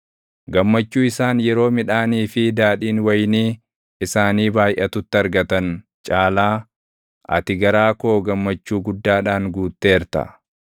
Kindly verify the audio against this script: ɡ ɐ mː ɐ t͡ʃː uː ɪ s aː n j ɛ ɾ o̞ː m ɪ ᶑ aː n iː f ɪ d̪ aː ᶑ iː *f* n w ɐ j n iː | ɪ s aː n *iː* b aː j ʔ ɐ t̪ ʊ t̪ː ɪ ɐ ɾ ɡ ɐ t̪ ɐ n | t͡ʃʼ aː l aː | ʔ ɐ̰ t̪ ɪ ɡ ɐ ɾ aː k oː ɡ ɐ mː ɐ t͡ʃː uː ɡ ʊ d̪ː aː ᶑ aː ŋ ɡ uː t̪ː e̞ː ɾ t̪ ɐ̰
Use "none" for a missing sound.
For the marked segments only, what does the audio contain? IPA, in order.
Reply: none, iː

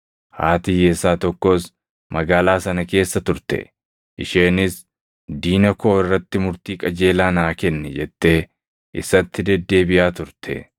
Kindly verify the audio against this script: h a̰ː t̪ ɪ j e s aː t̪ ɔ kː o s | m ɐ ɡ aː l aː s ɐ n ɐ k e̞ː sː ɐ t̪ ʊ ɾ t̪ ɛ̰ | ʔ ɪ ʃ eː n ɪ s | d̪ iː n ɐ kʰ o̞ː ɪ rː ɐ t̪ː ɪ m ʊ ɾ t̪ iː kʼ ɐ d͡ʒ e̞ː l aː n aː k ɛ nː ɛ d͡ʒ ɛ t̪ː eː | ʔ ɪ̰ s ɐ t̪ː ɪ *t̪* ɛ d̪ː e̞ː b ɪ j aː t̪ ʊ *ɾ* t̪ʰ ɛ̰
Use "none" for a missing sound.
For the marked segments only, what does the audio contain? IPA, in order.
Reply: d̪, ɾ

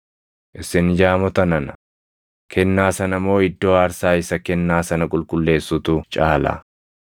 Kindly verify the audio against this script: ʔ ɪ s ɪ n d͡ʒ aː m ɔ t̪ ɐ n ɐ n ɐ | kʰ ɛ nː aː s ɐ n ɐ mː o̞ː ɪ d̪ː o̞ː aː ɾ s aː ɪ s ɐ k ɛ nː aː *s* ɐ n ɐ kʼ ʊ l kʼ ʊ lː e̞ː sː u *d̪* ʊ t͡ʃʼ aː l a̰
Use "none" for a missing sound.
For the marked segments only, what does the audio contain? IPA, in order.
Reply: s, t̪

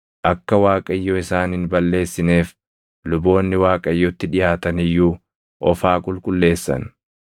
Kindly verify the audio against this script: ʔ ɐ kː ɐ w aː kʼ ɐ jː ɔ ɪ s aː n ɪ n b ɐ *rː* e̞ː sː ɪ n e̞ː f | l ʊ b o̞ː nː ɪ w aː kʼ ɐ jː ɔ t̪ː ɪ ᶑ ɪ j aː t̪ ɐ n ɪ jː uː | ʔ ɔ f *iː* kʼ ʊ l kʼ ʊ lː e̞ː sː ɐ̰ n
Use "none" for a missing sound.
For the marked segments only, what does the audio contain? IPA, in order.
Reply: lː, aː

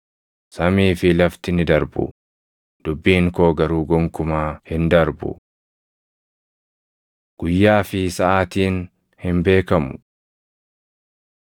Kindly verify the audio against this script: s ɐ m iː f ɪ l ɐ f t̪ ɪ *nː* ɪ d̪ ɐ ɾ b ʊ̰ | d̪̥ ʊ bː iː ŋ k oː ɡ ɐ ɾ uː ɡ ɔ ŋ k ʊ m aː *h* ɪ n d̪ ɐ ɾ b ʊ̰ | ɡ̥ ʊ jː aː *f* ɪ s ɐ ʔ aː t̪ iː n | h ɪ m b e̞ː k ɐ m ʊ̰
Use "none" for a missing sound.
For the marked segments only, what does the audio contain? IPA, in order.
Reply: n, h, f

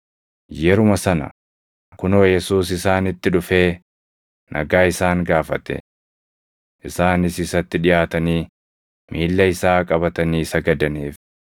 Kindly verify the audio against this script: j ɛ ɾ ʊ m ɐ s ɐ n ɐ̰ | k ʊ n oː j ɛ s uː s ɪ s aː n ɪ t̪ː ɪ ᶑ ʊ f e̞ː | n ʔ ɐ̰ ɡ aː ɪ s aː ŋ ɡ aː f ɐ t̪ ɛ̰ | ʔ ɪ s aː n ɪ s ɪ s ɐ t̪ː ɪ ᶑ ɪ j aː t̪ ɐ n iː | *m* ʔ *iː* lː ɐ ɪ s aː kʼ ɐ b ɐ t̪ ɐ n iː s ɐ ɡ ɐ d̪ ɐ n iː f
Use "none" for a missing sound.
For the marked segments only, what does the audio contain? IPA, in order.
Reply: m, iː

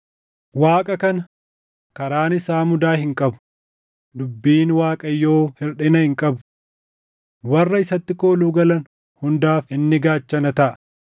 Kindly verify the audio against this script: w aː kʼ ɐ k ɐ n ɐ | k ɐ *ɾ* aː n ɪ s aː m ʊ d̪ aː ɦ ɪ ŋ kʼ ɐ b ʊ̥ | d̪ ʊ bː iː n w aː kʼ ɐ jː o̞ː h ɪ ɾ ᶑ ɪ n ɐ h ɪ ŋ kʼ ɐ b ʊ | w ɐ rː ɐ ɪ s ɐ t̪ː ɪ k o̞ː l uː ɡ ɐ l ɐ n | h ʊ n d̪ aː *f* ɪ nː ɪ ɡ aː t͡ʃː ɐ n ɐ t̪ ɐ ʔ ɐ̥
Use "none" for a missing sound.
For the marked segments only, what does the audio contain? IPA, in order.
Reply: ɾ, f

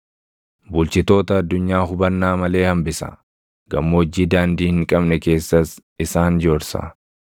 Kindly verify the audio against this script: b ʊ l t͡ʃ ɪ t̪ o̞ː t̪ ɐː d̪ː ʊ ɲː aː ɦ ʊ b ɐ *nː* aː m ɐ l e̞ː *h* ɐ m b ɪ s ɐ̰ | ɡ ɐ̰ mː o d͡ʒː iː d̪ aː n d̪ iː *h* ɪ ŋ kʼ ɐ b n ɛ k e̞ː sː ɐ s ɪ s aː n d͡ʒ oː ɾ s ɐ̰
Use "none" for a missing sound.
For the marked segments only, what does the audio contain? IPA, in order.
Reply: nː, h, h

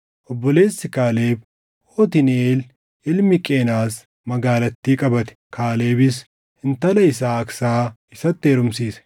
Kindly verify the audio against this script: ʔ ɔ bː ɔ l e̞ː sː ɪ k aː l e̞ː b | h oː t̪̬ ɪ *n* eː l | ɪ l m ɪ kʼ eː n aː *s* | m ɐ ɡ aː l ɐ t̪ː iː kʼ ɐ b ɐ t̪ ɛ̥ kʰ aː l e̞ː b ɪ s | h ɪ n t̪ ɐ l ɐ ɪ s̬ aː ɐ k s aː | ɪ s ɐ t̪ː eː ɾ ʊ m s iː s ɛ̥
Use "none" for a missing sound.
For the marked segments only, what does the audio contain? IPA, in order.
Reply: n, s

